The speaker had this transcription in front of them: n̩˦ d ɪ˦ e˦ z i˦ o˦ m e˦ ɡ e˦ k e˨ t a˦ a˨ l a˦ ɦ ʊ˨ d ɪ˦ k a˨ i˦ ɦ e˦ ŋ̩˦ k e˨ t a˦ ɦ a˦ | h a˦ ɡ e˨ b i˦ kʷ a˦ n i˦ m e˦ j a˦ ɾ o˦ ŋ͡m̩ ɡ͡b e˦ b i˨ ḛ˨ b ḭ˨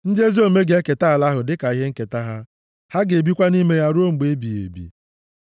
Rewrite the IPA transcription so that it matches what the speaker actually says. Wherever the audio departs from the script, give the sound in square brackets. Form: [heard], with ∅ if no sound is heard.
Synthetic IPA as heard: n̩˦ d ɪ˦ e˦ z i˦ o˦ m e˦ ɡ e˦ k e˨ t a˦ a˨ l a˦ ɦ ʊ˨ d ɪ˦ k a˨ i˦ ɦ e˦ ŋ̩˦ k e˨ t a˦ ɦ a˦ | h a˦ ɡ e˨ b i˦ kʷ a˦ n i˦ m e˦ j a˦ ɾ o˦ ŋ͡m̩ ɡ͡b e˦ b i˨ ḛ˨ b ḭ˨